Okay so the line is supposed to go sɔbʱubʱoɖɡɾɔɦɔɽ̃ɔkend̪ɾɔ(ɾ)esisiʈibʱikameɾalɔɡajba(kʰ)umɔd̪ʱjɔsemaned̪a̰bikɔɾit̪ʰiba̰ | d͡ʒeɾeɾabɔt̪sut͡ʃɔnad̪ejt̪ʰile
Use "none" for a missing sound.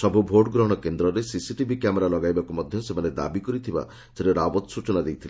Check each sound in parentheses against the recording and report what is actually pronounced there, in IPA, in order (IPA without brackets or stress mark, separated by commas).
ɾ, k